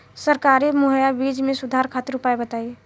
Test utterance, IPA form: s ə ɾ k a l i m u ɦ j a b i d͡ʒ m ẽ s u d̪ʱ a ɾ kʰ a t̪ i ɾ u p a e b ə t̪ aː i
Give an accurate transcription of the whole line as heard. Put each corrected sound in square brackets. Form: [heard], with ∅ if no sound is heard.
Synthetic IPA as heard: s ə ɾ k a [ɾ] i m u ɦ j a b i d͡ʒ m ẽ s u d̪ʱ a ɾ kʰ a t̪ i ɾ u p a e b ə t̪ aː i